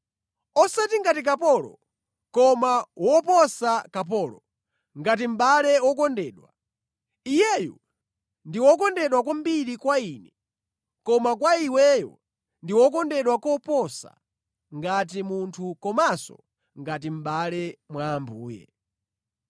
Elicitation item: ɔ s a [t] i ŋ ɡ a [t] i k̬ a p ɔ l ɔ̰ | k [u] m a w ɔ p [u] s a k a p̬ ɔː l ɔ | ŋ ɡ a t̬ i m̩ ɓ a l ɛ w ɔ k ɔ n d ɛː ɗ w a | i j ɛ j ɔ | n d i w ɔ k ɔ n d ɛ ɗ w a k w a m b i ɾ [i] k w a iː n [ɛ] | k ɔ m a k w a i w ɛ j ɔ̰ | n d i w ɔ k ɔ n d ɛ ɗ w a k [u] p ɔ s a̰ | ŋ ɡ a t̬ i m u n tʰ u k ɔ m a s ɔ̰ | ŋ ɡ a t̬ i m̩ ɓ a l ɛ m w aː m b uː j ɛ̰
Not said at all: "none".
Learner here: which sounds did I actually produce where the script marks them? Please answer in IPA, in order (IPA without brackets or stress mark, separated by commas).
t, t, ɔ, ɔ, i, ɛ, ɔ